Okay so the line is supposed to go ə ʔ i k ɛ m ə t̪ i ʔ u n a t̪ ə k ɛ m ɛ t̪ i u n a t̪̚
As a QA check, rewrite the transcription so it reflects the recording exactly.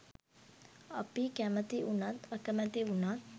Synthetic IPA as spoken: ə p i k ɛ m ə t̪ i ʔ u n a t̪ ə k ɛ m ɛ t̪ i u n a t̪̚

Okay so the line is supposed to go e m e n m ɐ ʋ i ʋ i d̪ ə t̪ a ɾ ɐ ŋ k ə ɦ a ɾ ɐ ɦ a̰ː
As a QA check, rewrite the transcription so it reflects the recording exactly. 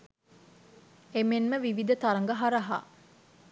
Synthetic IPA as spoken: e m e n m ə ʋ i ʋ i d̪ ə t̪ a ɾ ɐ ŋ ɡ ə ɦ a ɾ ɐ ɦ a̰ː

